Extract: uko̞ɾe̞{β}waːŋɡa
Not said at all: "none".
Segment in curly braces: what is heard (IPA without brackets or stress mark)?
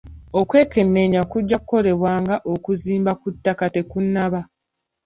β